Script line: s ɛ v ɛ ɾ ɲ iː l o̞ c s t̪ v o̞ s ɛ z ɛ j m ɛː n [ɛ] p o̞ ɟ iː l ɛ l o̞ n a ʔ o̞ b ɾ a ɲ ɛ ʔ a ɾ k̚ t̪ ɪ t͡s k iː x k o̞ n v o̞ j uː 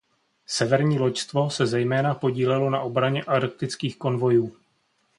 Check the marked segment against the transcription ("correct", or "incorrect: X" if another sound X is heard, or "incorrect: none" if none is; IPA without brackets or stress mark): incorrect: a